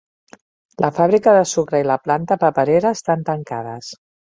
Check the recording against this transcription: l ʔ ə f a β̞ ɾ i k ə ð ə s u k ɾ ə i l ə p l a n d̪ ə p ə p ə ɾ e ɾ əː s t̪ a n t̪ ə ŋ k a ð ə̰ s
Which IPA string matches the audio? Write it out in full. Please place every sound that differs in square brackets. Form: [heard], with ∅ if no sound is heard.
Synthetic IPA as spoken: l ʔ ə f a β̞ ɾ i k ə ð ə s u k ɾ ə i l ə p l a n [t̪] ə p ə p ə ɾ e ɾ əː s t̪ a n t̪ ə ŋ k a ð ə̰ s